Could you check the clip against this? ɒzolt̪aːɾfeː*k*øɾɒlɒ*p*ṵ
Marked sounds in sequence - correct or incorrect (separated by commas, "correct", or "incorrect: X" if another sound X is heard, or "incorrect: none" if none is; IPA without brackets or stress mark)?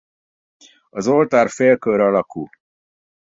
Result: correct, incorrect: k